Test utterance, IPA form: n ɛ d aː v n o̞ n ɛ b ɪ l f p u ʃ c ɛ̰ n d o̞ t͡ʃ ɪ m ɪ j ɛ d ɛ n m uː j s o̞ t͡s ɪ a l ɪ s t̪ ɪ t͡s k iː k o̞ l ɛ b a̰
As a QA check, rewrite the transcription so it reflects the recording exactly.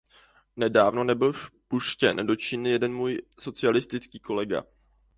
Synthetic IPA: n ɛ d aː v n o̞ n ɛ b ɪ l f p u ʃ c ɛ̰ n d o̞ t͡ʃ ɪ n ɪ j ɛ d ɛ n m uː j s o̞ t͡s ɪ a l ɪ s t̪ ɪ t͡s k iː k o̞ l ɛ ɡ a̰